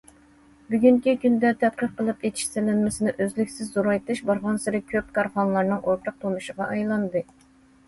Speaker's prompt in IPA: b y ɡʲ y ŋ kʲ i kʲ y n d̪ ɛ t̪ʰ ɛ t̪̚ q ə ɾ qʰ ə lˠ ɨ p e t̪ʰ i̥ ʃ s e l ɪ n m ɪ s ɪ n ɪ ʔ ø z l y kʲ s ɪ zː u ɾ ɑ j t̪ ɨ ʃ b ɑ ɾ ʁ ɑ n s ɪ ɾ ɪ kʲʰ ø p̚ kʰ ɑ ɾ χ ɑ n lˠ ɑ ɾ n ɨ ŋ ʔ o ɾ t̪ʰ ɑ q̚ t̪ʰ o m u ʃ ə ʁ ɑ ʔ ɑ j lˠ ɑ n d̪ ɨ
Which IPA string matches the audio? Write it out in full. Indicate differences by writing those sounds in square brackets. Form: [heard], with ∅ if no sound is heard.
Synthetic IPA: b y ɡʲ y ŋ kʲ i kʲ y n d̪ ɛ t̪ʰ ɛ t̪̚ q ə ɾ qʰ ə lˠ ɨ p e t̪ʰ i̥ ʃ s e l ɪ n m ɪ s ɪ n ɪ ʔ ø z l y kʲ s ɪ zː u ɾ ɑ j t̪ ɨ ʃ b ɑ ɾ ʁ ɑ n s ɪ ɾ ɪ kʲʰ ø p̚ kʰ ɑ ɾ χ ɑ n lˠ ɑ ɾ n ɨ ŋ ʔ o ɾ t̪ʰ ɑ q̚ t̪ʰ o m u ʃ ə ʁ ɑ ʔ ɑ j lˠ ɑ n d̪ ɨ